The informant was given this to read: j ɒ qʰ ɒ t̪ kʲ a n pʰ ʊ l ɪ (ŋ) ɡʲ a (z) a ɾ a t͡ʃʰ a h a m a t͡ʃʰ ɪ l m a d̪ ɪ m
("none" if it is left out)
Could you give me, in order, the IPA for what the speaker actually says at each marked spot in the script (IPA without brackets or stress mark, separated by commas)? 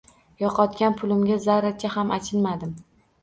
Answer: m, z